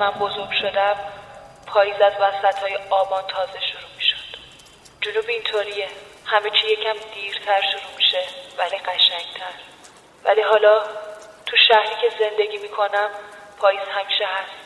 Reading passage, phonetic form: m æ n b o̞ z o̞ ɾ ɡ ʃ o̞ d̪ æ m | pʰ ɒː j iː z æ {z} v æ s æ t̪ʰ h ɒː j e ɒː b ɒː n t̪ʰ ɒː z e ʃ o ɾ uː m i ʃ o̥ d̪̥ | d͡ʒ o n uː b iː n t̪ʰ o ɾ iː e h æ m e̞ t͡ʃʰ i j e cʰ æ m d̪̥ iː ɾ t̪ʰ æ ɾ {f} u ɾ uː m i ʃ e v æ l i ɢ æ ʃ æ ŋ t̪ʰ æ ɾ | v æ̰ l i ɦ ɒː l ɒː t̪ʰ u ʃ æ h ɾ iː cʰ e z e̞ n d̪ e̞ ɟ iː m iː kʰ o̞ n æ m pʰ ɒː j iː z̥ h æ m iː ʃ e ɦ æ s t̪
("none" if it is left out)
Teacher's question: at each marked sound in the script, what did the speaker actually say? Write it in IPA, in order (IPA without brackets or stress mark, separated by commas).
z, ʃ